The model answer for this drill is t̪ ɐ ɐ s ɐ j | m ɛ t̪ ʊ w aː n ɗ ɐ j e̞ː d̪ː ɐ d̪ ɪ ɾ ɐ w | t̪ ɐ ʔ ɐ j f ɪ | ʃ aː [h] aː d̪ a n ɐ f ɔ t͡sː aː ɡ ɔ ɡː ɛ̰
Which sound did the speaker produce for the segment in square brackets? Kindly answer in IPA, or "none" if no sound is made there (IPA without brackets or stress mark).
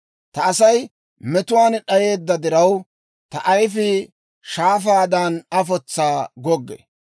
f